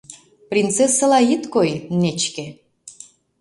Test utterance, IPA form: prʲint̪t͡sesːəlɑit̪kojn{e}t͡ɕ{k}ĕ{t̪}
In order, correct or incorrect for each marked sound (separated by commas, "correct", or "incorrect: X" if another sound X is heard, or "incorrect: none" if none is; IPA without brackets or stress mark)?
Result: correct, correct, incorrect: none